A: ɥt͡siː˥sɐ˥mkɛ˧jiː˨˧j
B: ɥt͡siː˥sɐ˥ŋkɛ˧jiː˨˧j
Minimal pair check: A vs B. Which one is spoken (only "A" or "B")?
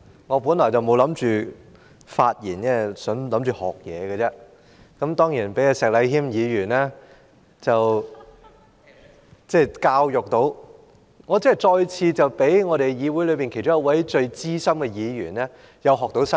A